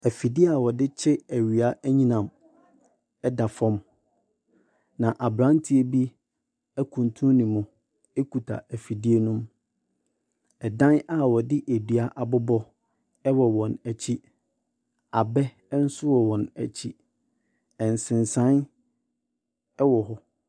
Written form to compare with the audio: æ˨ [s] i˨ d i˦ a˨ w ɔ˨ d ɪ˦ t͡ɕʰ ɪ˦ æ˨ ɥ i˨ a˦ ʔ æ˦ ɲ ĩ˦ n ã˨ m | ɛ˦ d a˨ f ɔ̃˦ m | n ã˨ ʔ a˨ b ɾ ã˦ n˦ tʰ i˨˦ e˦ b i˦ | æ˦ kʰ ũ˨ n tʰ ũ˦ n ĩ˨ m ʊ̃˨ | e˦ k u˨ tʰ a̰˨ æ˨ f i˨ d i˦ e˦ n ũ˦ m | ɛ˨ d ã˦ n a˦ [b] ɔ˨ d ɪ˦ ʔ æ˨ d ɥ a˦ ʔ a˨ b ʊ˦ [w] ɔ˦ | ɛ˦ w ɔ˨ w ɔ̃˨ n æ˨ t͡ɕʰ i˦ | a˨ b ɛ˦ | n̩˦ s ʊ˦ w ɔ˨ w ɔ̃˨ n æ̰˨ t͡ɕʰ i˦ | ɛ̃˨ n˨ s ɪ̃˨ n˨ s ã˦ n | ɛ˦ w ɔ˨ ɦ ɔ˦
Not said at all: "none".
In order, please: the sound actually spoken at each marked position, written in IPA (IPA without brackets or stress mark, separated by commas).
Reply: f, w, b